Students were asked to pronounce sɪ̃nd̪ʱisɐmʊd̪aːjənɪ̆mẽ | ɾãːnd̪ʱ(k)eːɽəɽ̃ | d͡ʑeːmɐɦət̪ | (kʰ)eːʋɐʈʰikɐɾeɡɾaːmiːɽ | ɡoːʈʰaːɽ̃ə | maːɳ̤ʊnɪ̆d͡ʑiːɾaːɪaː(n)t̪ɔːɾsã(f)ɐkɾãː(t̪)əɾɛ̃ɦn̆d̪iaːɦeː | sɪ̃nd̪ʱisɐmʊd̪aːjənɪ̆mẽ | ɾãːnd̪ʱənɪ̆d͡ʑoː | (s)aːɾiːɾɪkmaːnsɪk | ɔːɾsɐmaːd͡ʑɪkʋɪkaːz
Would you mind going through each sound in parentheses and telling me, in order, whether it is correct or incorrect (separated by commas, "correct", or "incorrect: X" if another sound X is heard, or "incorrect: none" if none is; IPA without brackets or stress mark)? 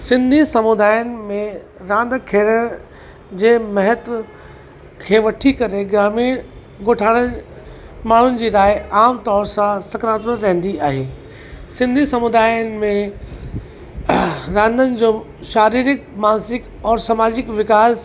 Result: incorrect: kʰ, correct, incorrect: m, incorrect: s, correct, incorrect: ʃ